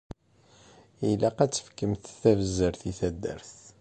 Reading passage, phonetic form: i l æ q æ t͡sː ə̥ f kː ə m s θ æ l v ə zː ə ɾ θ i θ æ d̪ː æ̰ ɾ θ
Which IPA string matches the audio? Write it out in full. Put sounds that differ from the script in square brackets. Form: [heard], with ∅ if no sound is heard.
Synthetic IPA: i l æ q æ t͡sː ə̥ f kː ə m [θ] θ æ [∅] v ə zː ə ɾ θ i θ æ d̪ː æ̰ ɾ θ